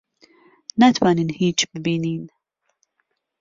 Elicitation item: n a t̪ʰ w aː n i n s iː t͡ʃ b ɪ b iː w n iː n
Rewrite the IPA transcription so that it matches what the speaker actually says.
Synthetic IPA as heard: n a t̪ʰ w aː n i n h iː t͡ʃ b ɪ b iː n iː n